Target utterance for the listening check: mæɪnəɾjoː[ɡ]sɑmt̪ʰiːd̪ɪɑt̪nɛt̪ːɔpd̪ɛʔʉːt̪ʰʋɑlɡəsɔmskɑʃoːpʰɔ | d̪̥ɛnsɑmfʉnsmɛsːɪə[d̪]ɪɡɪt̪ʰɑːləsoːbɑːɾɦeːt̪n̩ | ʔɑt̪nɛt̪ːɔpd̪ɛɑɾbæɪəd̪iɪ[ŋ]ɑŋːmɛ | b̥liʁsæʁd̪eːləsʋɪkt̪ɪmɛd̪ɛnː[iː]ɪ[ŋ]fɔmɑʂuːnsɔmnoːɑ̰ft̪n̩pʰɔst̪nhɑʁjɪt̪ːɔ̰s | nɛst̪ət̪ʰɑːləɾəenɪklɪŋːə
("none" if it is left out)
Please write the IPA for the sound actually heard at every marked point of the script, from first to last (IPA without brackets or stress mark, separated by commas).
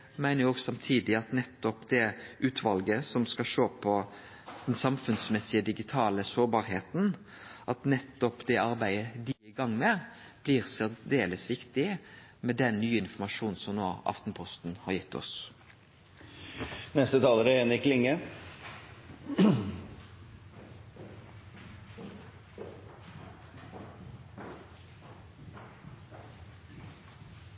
ɡ, d̪, ɡ, yː, n